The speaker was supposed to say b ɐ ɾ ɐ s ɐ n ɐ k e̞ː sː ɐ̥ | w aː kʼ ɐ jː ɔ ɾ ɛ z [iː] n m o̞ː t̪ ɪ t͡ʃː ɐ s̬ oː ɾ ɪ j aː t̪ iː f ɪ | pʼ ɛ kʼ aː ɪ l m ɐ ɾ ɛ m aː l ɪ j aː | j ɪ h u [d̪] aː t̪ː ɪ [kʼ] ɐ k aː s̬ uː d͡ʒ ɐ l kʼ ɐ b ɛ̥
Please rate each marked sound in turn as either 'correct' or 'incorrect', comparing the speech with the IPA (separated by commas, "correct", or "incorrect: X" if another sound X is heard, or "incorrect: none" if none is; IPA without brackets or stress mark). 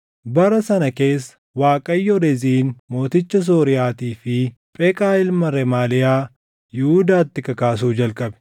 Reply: correct, correct, incorrect: k